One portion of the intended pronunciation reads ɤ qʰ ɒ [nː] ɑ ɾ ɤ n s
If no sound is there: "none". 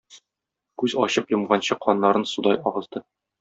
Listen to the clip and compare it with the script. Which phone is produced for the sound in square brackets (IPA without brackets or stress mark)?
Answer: nː